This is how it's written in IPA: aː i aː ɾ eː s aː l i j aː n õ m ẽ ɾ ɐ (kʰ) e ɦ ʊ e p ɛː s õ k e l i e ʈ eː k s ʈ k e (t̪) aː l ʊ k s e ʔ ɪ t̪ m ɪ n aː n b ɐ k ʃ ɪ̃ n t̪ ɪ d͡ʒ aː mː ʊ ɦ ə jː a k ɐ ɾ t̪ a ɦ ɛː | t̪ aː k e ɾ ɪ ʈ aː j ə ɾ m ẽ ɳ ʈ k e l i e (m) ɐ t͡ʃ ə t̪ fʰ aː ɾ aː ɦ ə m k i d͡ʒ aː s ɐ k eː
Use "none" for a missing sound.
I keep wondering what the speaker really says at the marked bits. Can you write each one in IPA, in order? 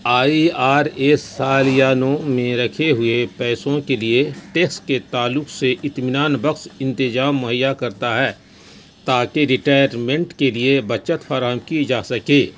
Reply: kʰ, t̪, b

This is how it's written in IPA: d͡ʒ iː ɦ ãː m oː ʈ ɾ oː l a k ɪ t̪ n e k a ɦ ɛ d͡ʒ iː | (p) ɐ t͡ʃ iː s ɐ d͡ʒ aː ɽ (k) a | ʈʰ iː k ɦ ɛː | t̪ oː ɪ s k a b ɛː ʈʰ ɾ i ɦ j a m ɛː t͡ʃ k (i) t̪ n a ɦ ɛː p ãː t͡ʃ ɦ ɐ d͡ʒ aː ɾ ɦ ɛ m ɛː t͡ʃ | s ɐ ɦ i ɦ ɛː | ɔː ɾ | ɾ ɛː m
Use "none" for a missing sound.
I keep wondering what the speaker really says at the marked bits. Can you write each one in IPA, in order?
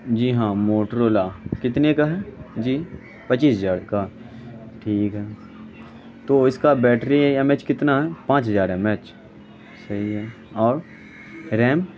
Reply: p, k, ɪ

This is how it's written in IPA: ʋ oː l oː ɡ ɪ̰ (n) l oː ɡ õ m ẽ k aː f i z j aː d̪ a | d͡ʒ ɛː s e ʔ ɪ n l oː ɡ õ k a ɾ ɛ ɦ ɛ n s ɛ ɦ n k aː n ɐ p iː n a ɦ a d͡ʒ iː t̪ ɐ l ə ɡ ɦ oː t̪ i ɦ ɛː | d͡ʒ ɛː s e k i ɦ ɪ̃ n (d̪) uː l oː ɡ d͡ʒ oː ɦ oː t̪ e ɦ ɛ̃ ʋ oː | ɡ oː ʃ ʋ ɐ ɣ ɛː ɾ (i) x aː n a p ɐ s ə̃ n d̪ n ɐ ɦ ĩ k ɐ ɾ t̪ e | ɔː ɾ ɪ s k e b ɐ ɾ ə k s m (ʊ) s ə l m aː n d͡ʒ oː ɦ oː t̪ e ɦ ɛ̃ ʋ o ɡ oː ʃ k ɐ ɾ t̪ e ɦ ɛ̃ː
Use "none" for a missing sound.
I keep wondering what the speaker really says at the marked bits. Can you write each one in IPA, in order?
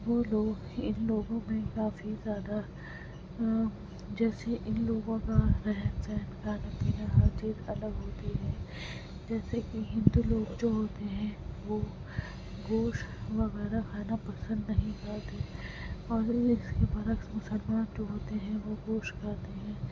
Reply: n, d̪, a, ʊ

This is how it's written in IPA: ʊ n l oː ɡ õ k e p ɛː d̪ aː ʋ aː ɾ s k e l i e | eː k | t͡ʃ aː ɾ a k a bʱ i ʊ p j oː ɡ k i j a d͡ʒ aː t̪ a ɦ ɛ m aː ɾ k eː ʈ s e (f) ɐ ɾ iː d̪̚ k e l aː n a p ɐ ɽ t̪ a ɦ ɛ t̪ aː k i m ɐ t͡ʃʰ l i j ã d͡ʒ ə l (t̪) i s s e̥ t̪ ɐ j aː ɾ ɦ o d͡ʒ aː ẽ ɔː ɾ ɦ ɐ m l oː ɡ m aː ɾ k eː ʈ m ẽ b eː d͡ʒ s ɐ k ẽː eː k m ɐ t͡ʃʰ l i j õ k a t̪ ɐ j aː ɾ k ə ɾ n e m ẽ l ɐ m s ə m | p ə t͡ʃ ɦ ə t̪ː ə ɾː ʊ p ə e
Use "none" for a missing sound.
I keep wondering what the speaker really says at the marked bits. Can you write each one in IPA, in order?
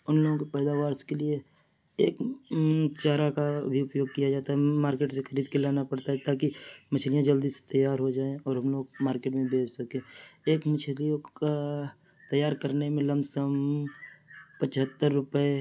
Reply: x, d̪

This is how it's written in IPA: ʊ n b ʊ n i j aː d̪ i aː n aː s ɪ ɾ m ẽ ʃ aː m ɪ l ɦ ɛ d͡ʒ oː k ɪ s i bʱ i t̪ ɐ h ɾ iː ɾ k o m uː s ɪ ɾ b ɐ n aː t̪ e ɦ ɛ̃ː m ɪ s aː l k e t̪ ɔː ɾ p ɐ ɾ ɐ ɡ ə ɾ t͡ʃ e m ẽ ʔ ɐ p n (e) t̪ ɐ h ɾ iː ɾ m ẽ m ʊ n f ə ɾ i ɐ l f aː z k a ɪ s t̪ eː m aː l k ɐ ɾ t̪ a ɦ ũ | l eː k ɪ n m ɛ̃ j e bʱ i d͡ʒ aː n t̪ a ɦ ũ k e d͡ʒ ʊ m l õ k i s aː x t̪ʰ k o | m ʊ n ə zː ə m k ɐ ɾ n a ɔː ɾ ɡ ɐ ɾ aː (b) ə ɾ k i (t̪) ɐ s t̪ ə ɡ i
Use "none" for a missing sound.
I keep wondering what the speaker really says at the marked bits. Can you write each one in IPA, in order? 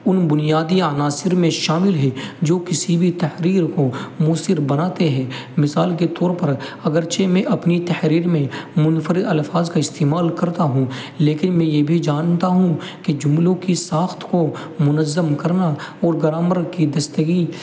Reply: i, m, d̪

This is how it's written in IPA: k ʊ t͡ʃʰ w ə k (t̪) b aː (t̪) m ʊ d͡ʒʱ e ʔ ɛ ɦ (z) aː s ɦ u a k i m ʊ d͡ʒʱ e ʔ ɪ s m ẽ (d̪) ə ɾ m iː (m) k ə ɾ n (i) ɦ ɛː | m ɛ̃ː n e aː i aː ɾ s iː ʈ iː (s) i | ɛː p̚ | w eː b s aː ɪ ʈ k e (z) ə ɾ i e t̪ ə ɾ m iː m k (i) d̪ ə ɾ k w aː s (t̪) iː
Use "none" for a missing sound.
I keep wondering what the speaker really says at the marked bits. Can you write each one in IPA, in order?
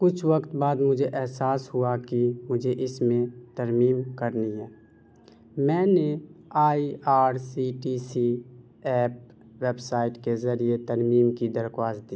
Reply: t̪, d̪, s, t̪, m, i, s, z, i, d̪

